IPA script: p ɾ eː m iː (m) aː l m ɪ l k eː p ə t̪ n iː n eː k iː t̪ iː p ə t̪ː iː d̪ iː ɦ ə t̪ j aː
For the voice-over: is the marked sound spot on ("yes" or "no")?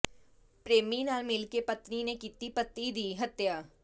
no